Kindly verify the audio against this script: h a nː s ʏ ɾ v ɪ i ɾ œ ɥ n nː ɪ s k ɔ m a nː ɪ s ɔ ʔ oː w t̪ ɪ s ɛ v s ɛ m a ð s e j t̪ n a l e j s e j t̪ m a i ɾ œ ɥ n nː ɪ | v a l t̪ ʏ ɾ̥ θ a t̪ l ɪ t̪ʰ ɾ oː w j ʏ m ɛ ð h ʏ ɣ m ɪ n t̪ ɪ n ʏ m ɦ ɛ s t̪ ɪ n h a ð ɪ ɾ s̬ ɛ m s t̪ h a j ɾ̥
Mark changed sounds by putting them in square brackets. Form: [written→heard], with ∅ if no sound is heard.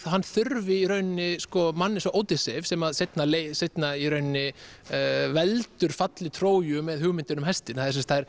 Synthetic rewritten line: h a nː [s→θ] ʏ ɾ v ɪ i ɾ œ ɥ n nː ɪ s k ɔ m a nː ɪ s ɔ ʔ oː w t̪ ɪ s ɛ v s ɛ m a ð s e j t̪ n a l e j s e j t̪ [m→n] a i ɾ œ ɥ n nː ɪ | v [a→ɛ] l t̪ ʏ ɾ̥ [θ→f] a t̪ l ɪ t̪ʰ ɾ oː w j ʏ m ɛ ð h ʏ ɣ m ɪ n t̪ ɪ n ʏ m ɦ ɛ s t̪ ɪ n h a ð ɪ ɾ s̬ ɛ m s t̪ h a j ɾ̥